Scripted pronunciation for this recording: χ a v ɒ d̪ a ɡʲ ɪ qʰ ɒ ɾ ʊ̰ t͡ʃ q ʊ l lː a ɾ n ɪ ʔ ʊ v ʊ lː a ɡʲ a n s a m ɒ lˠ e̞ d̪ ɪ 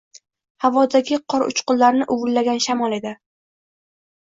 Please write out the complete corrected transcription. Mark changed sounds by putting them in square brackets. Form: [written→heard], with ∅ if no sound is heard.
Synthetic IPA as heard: [χ→h] a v ɒ d̪ a ɡʲ ɪ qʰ ɒ ɾ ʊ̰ t͡ʃ q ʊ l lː a ɾ n ɪ ʔ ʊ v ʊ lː a ɡʲ a n [s→ʃ] a m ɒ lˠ e̞ d̪ ɪ